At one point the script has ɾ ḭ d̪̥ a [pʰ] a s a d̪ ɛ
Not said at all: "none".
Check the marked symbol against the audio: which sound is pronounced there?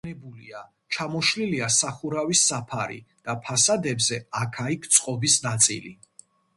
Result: pʰ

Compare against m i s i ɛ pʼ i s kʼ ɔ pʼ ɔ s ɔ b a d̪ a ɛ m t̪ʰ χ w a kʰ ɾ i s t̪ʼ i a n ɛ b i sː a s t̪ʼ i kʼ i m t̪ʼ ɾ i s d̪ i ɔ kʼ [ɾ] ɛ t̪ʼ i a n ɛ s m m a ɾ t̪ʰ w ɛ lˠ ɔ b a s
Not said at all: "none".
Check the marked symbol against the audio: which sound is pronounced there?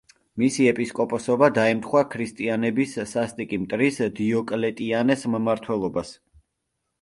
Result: l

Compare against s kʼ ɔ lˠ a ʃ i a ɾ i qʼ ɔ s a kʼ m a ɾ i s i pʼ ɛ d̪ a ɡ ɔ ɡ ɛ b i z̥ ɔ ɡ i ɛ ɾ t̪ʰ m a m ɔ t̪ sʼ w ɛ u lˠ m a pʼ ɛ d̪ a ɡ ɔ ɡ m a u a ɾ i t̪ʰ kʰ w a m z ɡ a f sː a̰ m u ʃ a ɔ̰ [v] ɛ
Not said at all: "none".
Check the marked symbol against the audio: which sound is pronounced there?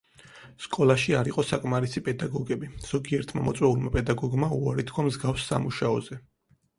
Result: z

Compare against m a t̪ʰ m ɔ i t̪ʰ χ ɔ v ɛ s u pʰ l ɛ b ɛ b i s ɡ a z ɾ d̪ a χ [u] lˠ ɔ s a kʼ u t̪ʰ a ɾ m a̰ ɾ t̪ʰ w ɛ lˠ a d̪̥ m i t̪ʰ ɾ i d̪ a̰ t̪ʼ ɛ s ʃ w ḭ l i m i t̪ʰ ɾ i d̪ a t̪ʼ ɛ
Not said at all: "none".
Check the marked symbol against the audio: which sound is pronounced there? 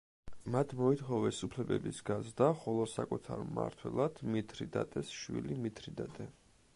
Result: ɔ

